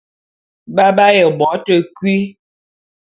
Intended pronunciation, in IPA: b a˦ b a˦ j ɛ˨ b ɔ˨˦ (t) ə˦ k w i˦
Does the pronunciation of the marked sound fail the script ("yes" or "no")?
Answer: no